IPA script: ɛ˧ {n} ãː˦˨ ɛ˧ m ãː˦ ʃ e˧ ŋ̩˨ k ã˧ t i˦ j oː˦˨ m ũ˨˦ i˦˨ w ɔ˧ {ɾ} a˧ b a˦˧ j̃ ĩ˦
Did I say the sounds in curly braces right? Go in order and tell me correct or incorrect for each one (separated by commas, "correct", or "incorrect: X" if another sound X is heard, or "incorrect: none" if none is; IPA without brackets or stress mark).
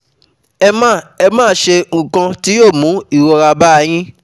incorrect: m, correct